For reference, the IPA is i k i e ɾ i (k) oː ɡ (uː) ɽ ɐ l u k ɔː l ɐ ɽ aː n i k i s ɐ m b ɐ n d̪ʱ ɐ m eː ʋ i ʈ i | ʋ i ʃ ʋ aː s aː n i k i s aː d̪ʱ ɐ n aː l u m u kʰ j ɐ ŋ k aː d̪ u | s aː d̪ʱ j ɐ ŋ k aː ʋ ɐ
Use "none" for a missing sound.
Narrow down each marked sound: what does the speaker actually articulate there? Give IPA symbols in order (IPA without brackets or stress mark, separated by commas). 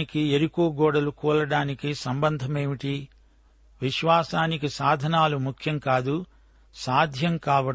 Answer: k, ɔː